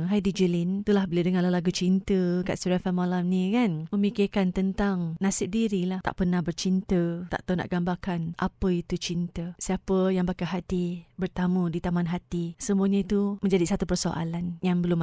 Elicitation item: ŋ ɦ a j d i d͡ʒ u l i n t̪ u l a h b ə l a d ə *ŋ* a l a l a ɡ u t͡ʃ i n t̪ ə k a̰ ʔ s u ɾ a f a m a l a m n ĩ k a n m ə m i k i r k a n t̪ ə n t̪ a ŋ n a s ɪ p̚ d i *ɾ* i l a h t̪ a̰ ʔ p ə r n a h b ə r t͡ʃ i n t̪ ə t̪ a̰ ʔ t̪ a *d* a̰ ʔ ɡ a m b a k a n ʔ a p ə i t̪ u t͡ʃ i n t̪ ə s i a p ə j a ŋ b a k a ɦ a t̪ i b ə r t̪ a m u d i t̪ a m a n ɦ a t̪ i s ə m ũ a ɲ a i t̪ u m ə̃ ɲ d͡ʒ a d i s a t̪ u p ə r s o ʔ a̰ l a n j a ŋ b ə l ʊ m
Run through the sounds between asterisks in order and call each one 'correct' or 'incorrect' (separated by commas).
correct, correct, incorrect